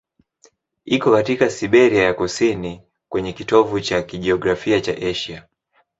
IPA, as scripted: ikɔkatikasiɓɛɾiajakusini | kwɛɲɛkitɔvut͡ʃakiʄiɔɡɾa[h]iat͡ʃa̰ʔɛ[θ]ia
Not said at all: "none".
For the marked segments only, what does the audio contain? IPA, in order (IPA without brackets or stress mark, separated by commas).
f, ʃ